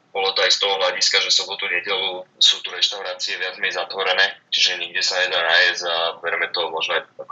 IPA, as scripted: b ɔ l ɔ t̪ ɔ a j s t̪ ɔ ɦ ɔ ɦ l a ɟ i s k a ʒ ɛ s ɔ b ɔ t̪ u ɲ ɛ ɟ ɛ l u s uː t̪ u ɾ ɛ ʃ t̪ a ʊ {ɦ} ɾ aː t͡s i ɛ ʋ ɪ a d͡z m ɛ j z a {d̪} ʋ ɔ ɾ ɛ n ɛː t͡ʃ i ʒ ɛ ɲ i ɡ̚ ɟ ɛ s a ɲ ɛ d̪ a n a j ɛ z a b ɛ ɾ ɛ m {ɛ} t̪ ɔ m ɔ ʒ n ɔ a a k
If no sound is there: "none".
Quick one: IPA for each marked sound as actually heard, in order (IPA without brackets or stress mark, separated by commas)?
none, t̪, ɛ